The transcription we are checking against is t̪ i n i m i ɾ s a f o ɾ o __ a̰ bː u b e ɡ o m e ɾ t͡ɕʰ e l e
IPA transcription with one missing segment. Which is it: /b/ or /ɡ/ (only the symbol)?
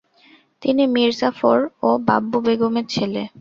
b